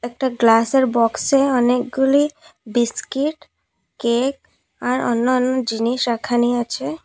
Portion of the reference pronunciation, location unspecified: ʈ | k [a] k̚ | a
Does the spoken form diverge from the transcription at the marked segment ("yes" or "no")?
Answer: yes